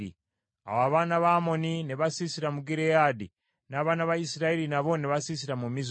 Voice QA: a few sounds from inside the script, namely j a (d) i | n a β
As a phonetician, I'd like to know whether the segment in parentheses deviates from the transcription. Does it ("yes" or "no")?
no